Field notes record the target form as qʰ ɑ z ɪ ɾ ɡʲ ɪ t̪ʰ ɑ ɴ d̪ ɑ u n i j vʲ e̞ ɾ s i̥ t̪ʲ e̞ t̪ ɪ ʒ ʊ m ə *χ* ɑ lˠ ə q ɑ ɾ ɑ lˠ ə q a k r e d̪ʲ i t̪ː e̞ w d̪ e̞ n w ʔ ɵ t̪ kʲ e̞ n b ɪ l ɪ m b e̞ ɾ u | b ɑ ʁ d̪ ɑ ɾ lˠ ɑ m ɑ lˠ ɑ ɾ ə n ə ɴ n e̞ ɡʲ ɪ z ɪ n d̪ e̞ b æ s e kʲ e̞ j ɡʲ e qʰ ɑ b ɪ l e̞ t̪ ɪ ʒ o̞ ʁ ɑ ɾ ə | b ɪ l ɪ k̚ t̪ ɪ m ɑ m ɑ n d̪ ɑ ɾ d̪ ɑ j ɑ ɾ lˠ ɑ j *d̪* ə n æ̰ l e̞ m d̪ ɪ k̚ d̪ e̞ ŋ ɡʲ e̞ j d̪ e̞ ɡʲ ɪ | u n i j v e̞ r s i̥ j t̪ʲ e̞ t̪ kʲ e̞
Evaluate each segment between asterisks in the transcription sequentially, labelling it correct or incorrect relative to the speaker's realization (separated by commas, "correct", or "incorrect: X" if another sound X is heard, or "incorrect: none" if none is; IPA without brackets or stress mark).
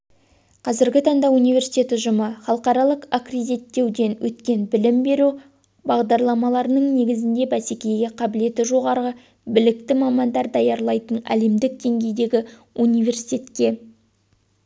correct, incorrect: t̪